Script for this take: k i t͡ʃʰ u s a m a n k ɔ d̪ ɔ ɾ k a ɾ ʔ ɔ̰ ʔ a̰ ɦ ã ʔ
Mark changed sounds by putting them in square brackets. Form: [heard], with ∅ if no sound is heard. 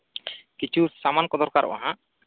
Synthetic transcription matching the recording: k i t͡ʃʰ u s a m a n k ɔ d̪ ɔ ɾ k a ɾ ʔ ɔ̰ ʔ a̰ ɦ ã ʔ